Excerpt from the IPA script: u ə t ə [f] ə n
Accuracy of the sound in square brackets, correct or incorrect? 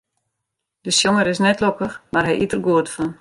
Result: correct